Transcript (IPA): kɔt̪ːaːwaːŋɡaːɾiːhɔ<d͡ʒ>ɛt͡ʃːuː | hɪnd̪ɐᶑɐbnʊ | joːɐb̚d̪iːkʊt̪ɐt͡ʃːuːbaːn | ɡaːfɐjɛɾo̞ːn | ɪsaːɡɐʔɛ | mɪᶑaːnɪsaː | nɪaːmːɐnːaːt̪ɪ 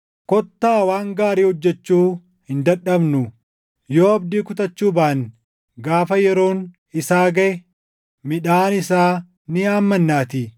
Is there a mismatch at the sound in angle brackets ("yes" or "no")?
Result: yes